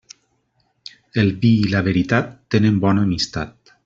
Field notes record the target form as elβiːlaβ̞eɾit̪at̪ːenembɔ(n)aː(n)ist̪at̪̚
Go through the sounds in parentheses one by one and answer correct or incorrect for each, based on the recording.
correct, incorrect

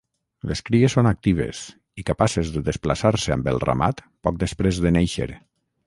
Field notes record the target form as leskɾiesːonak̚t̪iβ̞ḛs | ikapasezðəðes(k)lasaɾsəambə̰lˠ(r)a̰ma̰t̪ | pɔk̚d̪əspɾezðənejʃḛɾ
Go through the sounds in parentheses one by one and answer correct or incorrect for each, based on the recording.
incorrect, correct

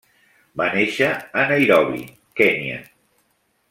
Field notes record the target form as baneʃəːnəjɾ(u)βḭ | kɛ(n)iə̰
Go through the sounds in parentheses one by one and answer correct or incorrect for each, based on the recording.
incorrect, correct

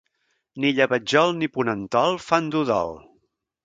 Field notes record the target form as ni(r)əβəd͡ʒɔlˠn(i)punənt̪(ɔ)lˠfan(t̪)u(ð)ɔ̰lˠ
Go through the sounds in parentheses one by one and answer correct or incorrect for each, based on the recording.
incorrect, correct, correct, incorrect, correct

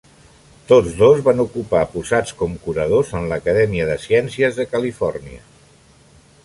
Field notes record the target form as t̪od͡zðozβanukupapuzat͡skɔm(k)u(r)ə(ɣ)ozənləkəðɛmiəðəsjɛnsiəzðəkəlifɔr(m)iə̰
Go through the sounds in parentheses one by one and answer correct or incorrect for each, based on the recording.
correct, incorrect, incorrect, incorrect

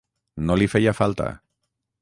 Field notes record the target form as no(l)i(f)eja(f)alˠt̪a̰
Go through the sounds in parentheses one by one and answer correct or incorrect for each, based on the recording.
correct, correct, correct

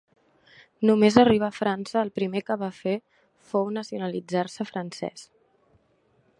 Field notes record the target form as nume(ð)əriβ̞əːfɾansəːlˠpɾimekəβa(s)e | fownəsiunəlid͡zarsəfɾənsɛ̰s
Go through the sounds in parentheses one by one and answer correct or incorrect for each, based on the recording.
incorrect, incorrect

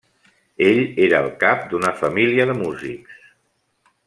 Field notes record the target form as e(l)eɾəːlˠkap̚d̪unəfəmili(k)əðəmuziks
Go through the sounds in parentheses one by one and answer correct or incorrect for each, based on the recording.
incorrect, incorrect

